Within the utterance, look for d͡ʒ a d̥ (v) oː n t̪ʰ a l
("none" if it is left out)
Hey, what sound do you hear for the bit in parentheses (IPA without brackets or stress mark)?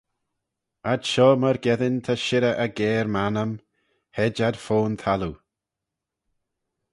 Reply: f